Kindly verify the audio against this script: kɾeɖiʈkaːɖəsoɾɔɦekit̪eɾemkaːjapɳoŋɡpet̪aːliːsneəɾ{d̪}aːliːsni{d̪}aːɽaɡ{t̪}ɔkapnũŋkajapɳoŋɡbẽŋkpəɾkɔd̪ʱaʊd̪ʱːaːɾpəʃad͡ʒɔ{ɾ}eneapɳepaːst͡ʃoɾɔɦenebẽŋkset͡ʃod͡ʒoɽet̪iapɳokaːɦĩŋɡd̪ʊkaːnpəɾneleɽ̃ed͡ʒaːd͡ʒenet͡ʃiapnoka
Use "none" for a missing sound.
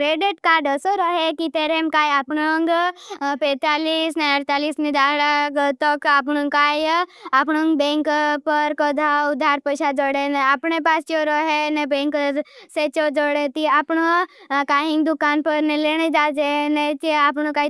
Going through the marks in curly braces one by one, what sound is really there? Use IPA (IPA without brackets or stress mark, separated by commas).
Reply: t̪, d̪, t̪, ɽ